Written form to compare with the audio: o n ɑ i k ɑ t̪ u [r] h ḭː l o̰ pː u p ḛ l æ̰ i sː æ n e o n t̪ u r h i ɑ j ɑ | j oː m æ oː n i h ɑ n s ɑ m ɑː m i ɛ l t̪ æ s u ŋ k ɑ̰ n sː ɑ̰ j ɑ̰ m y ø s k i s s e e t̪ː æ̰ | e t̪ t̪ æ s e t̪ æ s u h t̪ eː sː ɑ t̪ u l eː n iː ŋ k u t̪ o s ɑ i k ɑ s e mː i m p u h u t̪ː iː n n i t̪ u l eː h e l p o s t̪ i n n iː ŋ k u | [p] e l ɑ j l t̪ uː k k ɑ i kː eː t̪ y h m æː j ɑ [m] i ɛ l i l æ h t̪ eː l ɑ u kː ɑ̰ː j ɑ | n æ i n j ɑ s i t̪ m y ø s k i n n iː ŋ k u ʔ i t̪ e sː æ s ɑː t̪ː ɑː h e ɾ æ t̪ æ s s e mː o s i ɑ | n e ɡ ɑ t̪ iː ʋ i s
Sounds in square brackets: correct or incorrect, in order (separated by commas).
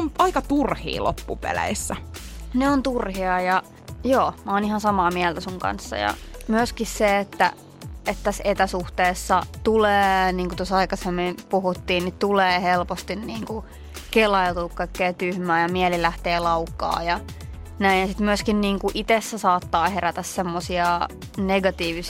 correct, incorrect, correct